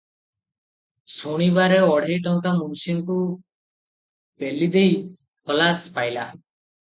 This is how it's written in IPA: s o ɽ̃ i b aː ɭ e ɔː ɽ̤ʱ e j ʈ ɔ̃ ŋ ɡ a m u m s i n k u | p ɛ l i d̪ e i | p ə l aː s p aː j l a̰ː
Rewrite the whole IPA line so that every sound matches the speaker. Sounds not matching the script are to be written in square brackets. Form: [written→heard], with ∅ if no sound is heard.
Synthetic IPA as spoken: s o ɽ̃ i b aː [ɭ→ɾ] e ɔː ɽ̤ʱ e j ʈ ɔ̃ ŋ [ɡ→k] a m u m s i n k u | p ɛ l i d̪ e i | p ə l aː s p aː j l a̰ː